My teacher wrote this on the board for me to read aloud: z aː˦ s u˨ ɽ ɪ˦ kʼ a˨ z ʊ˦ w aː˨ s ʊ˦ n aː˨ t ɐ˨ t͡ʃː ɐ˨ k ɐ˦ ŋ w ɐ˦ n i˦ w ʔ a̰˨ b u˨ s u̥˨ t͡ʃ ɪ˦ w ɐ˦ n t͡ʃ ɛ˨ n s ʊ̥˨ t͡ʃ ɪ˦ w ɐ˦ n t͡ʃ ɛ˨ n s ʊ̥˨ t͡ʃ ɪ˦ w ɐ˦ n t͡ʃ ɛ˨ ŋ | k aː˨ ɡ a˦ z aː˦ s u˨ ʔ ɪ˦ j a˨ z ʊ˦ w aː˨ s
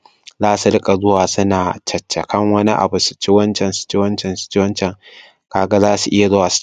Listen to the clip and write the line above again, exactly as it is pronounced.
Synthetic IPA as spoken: z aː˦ s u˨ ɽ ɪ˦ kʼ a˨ z ʊ˦ w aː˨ s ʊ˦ n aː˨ t͡ʃ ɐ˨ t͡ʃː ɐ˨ k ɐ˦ ŋ w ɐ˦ n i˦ ʔ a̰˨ b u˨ s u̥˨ t͡ʃ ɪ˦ w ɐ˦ n t͡ʃ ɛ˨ n s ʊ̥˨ t͡ʃ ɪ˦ w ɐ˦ n t͡ʃ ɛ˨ n s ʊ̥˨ t͡ʃ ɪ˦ w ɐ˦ n t͡ʃ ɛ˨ ŋ | k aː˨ ɡ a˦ z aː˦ s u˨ ʔ ɪ˦ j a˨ z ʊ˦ w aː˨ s